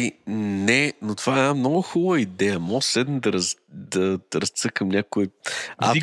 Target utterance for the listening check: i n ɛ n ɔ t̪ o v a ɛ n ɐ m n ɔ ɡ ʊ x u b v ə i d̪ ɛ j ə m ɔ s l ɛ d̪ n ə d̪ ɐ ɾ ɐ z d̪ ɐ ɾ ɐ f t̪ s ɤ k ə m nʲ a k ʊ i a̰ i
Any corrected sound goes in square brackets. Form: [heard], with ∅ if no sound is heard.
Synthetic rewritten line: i n ɛ n [o] t̪ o v a ɛ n [a] m n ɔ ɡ ʊ x u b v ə i d̪ ɛ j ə m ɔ s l ɛ d̪ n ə d̪ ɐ ɾ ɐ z d̪ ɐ ɾ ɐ [s] t̪ s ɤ k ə m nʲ a k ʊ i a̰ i